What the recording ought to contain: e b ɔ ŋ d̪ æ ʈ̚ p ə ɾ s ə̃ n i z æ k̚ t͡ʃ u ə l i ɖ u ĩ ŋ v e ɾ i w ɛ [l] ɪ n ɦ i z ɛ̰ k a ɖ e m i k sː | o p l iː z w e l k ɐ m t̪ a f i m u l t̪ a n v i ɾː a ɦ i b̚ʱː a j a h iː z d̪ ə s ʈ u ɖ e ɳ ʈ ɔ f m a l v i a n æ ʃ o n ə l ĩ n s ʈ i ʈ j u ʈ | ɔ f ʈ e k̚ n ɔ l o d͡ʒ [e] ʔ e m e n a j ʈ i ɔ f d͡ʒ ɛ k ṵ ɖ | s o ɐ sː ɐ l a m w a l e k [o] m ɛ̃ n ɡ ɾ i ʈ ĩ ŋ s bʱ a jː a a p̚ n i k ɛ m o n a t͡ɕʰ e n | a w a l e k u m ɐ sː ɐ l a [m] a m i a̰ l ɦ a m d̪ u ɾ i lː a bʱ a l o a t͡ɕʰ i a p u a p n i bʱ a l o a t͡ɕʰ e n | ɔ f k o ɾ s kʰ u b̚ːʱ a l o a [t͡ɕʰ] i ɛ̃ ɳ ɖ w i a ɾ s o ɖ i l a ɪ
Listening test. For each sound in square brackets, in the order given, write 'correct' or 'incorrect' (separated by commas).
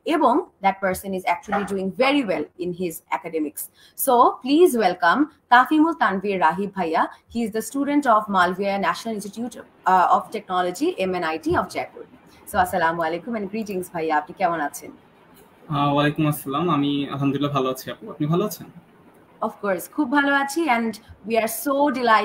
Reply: correct, incorrect, incorrect, correct, correct